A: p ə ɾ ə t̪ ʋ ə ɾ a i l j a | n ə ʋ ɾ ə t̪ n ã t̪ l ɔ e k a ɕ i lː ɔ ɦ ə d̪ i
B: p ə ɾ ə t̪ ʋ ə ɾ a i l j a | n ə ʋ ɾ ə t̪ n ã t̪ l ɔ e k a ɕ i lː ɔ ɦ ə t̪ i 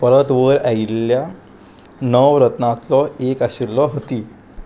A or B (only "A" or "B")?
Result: B